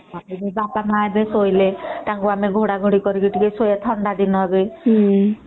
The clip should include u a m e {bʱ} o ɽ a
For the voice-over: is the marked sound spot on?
no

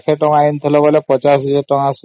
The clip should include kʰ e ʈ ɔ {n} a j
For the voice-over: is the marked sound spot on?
no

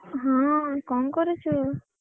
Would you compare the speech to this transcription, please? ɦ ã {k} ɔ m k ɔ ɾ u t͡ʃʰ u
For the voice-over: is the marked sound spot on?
yes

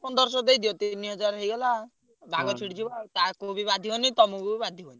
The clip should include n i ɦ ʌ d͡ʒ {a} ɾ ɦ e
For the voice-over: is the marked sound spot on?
yes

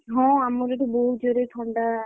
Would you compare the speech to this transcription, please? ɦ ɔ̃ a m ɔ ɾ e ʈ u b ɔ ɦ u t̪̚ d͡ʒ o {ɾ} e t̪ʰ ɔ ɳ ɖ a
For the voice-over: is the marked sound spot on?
yes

